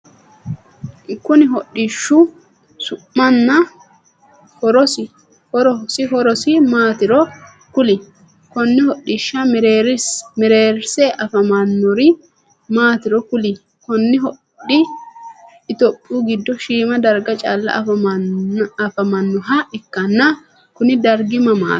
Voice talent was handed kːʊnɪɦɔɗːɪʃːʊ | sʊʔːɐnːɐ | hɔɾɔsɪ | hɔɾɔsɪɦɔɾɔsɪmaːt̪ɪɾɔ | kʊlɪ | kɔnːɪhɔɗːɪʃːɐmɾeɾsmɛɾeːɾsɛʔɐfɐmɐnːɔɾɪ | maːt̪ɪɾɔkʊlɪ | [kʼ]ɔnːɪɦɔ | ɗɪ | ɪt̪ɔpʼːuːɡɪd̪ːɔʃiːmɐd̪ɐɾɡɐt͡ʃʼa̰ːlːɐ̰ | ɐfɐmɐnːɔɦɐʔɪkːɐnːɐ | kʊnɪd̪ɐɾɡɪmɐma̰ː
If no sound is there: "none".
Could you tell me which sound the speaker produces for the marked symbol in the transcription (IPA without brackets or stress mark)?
k